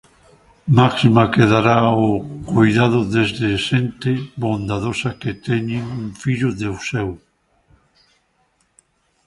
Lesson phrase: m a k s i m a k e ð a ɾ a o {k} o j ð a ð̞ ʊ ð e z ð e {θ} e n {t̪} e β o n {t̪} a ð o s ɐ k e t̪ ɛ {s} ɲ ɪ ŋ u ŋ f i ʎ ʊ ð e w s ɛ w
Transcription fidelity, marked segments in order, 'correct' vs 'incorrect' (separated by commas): correct, incorrect, correct, incorrect, incorrect